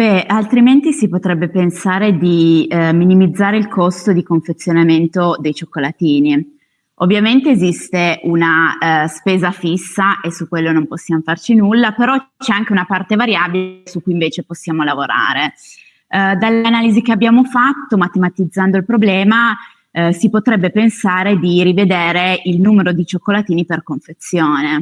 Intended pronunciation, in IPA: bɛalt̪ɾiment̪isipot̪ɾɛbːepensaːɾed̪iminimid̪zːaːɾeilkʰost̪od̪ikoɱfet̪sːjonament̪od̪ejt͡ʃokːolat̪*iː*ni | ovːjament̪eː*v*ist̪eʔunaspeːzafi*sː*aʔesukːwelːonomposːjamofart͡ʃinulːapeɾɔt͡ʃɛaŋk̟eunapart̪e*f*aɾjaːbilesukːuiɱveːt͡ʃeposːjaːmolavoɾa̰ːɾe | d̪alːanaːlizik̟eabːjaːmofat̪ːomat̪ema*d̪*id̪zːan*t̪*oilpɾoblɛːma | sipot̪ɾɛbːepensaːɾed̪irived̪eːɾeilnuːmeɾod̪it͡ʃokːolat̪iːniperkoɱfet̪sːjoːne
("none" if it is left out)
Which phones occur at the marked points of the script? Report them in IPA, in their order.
iː, z, sː, v, t̪, d̪

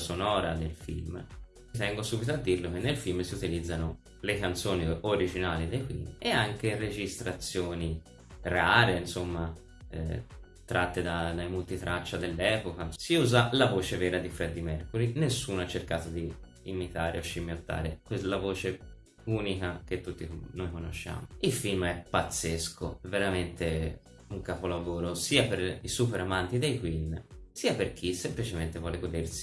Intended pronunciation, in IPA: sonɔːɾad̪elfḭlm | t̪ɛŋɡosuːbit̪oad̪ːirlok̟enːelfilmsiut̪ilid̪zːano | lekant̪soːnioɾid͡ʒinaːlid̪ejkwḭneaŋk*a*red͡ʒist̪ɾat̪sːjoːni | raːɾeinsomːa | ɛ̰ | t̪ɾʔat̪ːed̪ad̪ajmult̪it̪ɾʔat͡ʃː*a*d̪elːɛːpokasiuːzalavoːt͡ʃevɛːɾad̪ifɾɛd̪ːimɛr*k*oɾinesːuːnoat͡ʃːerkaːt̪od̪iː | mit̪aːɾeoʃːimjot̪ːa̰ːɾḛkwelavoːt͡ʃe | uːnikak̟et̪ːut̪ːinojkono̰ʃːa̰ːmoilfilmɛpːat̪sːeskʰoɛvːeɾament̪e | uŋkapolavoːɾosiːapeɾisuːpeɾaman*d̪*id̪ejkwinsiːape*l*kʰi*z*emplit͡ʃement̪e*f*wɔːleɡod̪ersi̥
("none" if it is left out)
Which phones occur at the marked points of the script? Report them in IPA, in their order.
e, a, k, t̪, r, s, v

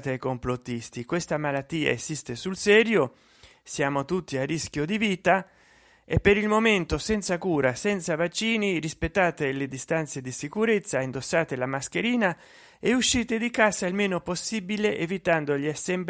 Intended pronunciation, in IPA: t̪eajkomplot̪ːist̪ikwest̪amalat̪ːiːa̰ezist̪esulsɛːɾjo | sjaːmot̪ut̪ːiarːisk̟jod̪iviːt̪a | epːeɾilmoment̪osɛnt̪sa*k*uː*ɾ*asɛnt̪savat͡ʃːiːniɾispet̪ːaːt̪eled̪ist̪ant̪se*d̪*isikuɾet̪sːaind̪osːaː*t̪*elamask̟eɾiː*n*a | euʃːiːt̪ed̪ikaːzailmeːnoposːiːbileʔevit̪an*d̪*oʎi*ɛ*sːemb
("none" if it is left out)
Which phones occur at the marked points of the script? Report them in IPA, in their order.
k, ɾ, d̪, t̪, n, d̪, a

